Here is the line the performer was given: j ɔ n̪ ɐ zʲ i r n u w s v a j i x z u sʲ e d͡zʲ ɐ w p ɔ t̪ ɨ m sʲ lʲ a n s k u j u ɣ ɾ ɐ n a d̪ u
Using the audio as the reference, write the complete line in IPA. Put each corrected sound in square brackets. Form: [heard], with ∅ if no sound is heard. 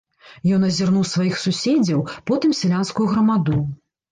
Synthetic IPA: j ɔ n̪ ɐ zʲ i r n u w s v a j i x [s] u sʲ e d͡zʲ ɐ w p ɔ t̪ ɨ m sʲ lʲ a n s k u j u ɣ ɾ ɐ [m] a d̪ u